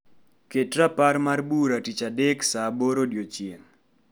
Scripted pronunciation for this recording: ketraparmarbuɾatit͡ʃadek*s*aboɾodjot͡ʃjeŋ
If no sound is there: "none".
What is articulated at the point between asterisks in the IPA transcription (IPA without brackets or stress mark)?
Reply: s